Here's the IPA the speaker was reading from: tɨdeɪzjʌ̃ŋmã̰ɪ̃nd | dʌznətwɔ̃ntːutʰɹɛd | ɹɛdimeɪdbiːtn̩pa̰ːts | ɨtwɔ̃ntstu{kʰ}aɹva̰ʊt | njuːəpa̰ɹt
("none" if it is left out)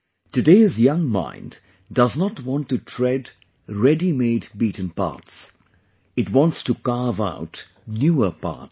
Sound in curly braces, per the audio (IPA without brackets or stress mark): k